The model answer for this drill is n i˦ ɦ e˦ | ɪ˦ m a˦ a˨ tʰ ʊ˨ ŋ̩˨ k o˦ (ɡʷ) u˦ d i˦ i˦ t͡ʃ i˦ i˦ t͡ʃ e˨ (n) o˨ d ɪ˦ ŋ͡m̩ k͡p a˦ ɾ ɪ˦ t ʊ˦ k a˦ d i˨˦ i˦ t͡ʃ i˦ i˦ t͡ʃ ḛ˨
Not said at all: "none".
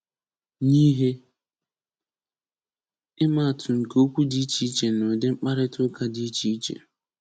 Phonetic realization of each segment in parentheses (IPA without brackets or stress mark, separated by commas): kʷ, n